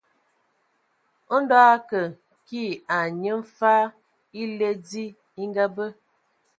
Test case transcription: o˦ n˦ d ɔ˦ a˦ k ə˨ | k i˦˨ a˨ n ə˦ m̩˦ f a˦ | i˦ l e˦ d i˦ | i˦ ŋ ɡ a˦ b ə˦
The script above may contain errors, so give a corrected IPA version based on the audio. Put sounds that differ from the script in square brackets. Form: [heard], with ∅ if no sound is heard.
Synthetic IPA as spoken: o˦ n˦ d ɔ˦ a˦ k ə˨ | k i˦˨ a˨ [ɲ] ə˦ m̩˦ f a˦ | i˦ l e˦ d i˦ | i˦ ŋ ɡ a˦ b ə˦